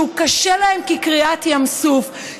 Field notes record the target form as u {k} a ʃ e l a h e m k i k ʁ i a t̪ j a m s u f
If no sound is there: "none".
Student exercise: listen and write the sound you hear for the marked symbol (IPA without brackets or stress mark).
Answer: k